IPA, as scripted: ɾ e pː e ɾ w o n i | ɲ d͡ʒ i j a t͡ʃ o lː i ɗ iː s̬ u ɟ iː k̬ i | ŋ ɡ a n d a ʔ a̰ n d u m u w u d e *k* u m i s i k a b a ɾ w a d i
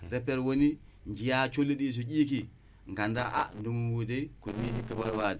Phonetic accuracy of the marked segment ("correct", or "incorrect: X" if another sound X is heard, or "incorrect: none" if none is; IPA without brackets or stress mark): correct